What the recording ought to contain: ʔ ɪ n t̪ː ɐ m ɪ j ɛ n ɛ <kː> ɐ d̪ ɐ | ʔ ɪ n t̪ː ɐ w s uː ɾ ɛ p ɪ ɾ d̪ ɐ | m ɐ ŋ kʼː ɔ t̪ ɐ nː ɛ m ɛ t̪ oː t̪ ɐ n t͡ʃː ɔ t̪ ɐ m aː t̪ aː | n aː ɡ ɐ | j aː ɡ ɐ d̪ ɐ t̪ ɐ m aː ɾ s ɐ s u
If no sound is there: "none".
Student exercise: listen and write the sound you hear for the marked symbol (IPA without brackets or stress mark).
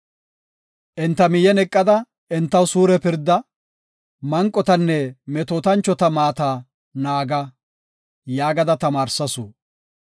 kʼː